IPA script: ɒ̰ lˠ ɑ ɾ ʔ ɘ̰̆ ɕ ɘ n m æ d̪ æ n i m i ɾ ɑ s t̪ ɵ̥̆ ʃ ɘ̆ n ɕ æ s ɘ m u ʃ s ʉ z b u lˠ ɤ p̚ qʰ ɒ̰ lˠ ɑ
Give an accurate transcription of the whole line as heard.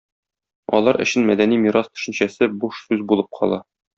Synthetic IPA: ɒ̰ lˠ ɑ ɾ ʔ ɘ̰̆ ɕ ɘ n m æ d̪ æ n i m i ɾ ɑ s t̪ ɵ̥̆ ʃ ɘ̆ n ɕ æ s ɘ b u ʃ s ʉ z b u lˠ ɤ p̚ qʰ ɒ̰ lˠ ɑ